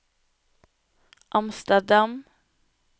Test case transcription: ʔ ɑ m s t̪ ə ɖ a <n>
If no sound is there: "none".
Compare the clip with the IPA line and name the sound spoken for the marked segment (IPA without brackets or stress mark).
m